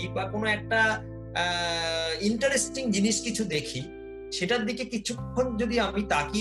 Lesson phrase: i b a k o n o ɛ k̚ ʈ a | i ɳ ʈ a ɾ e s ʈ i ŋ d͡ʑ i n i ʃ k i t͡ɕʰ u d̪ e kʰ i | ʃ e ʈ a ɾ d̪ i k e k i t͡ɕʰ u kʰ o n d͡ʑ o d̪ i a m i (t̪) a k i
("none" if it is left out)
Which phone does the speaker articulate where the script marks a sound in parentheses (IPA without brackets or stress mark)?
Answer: t̪